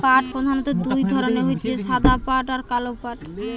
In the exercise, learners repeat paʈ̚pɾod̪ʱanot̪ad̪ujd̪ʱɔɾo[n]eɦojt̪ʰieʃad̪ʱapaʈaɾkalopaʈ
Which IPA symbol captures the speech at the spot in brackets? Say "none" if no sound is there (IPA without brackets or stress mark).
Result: n